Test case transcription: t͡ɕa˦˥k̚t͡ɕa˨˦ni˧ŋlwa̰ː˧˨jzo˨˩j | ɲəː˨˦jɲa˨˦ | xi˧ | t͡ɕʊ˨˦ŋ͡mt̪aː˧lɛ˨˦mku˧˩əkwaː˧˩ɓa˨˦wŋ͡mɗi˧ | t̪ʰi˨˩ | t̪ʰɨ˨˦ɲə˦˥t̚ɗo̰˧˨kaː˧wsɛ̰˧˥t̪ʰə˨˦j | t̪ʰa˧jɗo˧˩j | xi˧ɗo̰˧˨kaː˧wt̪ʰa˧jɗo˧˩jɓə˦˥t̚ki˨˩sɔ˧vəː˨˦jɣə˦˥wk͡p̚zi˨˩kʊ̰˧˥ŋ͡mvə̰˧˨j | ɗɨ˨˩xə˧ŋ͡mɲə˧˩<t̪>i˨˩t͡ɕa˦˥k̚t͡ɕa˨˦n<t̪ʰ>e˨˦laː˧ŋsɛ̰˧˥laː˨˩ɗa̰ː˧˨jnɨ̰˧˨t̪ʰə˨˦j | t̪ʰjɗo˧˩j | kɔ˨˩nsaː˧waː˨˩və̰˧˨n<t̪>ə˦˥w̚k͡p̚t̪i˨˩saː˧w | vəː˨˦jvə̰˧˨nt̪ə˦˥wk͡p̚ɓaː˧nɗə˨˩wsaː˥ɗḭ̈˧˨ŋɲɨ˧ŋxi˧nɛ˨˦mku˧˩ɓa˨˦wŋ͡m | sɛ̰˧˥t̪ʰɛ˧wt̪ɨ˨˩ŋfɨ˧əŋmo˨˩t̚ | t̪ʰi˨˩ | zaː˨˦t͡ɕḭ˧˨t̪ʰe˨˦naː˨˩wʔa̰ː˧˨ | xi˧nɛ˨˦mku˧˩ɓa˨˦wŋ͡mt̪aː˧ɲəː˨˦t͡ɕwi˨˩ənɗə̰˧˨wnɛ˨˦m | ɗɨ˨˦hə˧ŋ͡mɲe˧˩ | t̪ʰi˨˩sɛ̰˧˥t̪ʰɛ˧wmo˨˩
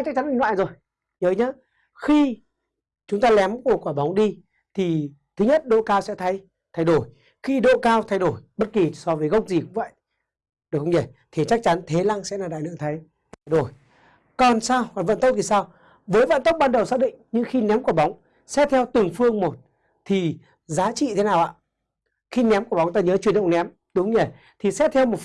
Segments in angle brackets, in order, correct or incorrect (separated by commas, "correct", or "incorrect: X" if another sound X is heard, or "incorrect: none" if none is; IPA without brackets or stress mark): incorrect: t̪ʰ, correct, correct